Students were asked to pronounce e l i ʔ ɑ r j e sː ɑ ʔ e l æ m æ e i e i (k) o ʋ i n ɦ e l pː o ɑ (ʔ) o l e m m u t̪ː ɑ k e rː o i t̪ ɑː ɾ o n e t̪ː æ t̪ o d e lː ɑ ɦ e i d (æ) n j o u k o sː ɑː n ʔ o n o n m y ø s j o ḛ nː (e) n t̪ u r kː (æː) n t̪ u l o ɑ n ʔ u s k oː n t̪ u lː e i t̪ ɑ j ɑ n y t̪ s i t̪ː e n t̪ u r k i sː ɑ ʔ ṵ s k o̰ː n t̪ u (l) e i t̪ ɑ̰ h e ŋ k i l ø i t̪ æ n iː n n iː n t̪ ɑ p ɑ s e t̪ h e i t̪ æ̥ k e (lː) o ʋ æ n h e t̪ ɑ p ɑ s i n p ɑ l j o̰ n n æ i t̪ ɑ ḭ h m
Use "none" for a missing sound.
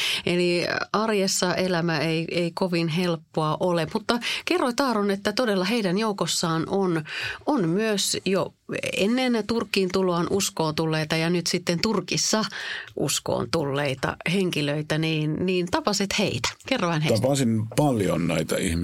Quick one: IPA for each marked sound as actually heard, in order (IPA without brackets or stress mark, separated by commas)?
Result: k, ʔ, æ, e, iː, lː, rː